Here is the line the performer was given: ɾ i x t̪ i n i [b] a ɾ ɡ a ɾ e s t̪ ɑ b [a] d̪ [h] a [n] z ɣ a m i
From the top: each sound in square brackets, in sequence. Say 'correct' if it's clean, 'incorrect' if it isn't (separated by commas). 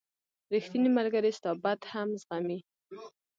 incorrect, correct, correct, incorrect